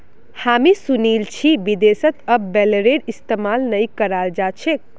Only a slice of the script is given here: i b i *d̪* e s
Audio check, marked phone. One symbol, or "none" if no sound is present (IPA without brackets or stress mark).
d̪